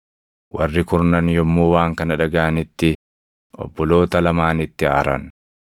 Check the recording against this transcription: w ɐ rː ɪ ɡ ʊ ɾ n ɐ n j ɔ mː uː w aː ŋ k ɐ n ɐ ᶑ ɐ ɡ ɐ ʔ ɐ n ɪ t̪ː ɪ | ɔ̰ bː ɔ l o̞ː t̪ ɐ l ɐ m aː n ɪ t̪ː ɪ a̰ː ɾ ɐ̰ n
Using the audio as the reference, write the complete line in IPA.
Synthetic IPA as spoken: w ɐ rː ɪ k ʊ ɾ n ɐ n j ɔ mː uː w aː ŋ k ɐ n ɐ ᶑ ɐ ɡ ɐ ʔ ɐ n ɪ t̪ː ɪ | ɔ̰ bː ɔ l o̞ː t̪ ɐ l ɐ m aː n ɪ t̪ː ɪ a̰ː ɾ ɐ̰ n